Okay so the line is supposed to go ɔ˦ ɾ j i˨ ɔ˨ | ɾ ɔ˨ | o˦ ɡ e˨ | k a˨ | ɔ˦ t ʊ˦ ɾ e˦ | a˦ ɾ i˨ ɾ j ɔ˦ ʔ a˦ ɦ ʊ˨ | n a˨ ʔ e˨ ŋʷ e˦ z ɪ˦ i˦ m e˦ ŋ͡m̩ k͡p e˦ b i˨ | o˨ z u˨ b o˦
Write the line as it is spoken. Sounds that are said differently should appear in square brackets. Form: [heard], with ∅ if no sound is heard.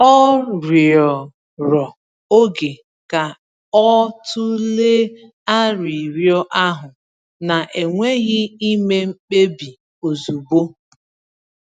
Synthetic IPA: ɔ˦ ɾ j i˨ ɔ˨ | ɾ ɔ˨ | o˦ ɡ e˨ | k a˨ | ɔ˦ t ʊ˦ [l] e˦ | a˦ ɾ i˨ ɾ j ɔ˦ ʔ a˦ ɦ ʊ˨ | n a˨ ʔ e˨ ŋʷ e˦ [ɣ] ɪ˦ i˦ m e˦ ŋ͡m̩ k͡p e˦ b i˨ | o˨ z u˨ b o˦